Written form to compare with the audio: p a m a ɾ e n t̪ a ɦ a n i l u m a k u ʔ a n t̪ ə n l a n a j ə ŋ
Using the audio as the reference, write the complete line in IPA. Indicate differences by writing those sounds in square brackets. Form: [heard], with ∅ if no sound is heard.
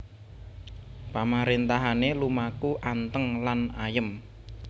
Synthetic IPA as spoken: p a m a ɾ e n t̪ a ɦ a n [e] l u m a k u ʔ a n t̪ ə [ŋ] l a n a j ə [m]